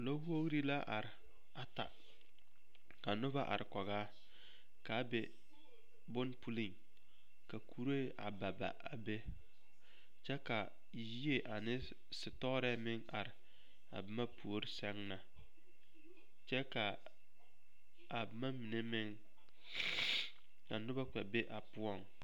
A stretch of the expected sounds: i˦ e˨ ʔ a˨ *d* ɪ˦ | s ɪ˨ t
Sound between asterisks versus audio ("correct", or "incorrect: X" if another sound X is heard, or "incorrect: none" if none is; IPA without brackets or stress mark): incorrect: n